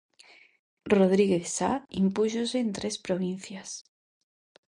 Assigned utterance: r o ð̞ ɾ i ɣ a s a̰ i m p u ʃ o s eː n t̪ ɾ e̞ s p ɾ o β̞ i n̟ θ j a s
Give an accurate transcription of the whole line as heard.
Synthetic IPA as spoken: r o ð̞ ɾ i ɣ e s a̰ i m p u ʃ o s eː n t̪ ɾ e̞ s p ɾ o β̞ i n̟ θ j a s